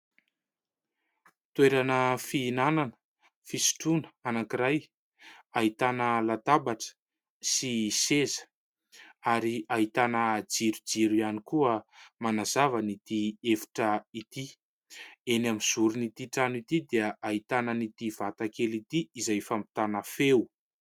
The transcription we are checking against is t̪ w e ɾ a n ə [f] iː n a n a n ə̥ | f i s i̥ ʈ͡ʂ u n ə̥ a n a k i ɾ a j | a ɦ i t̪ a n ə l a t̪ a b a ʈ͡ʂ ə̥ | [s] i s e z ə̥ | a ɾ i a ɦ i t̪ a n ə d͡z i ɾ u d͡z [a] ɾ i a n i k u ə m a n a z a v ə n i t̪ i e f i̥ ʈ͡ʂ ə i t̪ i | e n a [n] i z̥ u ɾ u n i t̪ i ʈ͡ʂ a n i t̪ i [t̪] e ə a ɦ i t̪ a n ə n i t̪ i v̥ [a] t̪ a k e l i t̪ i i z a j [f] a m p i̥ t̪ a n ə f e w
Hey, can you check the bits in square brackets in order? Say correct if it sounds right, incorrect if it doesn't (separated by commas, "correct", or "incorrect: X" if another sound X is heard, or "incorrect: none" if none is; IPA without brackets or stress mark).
correct, correct, incorrect: i, incorrect: m, incorrect: d̪, correct, correct